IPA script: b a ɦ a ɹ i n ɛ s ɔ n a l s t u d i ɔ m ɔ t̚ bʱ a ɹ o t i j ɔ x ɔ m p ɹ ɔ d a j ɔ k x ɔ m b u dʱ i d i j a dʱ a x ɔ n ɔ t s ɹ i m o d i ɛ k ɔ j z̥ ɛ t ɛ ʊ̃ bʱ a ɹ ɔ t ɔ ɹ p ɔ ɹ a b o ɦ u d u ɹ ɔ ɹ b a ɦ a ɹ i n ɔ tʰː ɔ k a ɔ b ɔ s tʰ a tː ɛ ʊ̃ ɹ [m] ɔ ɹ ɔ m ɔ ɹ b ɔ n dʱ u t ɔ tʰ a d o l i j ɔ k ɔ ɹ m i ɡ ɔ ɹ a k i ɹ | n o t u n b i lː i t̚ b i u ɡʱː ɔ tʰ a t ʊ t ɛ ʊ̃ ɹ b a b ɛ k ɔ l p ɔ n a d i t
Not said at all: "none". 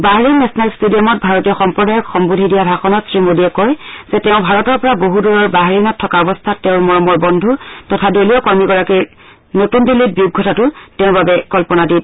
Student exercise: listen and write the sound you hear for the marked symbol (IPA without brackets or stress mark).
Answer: m